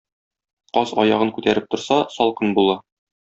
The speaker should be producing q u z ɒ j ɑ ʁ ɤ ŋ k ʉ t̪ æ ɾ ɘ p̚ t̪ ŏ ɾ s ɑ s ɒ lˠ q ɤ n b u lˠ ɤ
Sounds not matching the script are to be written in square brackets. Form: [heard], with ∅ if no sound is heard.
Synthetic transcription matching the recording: q [ɒ] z ɒ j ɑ ʁ ɤ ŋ k ʉ t̪ æ ɾ ɘ p̚ t̪ ŏ ɾ s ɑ s ɒ lˠ q ɤ n b u lˠ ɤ